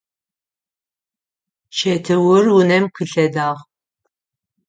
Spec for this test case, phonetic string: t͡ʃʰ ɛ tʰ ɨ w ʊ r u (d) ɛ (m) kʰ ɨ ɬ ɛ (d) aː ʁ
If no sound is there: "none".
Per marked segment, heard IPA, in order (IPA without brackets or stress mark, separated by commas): n, m, d